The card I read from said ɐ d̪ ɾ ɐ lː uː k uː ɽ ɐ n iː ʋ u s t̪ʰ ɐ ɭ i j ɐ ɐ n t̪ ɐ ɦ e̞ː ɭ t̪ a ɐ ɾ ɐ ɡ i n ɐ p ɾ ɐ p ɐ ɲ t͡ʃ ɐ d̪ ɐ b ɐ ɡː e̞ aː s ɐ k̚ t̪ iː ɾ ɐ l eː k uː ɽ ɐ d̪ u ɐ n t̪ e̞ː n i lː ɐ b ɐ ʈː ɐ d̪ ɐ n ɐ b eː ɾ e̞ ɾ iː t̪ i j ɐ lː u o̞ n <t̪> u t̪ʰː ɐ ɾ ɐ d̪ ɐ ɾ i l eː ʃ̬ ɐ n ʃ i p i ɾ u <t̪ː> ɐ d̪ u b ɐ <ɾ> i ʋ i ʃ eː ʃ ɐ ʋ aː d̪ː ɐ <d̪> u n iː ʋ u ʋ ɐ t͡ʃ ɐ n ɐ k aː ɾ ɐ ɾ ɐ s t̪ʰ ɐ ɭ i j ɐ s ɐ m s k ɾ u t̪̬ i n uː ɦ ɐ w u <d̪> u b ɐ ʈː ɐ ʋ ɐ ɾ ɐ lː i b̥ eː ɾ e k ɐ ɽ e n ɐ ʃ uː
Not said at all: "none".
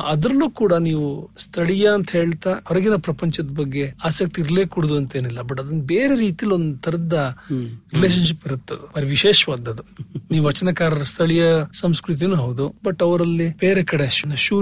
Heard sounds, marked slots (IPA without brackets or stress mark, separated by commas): d̪, t̪ː, ɾ, d̪, d̪